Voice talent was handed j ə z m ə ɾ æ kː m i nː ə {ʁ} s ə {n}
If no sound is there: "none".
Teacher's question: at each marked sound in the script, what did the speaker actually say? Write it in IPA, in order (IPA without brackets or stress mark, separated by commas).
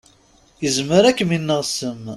ʁ, m